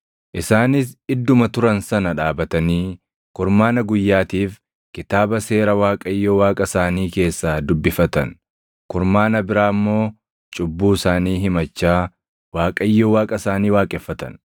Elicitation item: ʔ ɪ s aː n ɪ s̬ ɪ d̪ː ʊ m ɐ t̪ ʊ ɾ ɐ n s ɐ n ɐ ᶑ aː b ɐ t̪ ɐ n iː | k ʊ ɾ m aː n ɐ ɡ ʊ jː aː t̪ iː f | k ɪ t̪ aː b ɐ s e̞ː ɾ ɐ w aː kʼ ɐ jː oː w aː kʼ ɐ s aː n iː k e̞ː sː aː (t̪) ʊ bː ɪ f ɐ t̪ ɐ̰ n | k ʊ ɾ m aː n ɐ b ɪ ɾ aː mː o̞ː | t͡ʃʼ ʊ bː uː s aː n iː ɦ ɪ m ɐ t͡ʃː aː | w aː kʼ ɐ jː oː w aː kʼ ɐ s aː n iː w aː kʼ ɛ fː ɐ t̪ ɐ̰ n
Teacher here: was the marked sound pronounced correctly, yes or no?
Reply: no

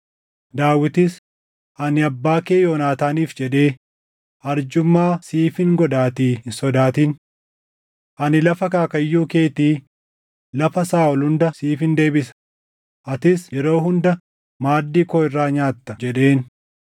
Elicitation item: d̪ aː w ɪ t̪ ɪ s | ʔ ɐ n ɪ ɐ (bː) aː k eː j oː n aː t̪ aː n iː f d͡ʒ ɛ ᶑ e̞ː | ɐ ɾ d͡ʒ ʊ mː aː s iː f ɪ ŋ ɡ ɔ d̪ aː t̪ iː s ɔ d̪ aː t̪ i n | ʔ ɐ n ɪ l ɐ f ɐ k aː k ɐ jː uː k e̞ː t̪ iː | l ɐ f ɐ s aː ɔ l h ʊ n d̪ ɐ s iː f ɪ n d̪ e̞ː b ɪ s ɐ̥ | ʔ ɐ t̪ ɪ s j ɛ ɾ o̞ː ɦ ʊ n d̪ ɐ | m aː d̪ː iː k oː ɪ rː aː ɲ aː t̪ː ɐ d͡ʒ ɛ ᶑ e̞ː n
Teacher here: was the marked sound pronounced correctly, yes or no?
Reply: yes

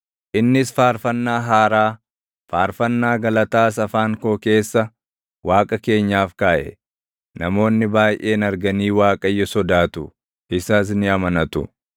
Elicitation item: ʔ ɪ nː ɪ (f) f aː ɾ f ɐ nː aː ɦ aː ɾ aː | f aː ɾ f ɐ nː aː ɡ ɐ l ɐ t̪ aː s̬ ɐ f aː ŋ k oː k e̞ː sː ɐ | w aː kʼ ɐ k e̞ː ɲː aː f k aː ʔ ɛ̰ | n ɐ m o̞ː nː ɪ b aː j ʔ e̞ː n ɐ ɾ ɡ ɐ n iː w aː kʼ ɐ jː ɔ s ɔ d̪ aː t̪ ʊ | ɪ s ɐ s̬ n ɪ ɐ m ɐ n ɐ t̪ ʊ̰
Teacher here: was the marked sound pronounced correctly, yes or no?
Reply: no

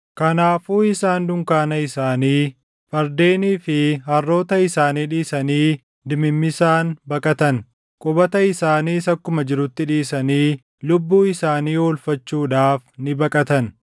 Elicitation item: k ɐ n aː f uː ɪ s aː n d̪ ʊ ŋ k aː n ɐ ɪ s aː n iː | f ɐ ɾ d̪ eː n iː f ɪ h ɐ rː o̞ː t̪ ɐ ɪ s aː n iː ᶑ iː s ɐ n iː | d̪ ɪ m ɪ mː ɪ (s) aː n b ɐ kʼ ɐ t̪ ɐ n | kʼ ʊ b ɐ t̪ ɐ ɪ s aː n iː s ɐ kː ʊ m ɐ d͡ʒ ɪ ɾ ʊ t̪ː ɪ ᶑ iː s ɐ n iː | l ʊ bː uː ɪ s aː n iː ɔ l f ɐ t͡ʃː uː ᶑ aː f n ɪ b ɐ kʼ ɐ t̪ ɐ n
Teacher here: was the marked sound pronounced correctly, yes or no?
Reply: yes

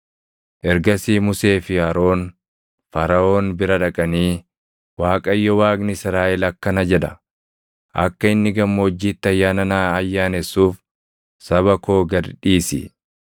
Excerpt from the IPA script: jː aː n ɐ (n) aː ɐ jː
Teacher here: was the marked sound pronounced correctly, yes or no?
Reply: yes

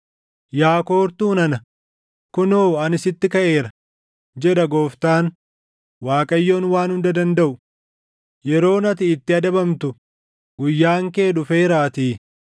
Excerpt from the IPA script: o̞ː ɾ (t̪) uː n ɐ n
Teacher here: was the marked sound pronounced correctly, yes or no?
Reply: yes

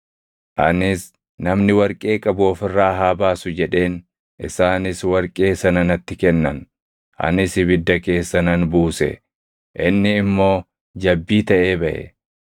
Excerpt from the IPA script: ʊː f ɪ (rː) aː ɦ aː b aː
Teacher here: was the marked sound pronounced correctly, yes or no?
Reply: yes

